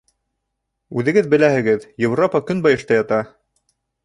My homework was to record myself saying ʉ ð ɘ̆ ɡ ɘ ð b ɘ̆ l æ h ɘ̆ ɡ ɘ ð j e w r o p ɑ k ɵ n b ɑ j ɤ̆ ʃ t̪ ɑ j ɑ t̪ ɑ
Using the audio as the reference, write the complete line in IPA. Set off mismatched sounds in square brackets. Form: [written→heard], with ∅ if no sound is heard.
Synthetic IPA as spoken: ʉ ð ɘ̆ ɡ ɘ ð b ɘ̆ l æ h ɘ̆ ɡ ɘ ð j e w r o p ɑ k ɵ n b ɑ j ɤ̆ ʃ t̪ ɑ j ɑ t̪ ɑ